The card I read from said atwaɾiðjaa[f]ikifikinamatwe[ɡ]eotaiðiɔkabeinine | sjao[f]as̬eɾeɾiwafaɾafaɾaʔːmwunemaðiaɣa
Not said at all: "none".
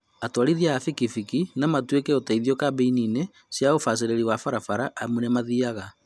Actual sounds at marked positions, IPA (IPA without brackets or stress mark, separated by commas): f, k, f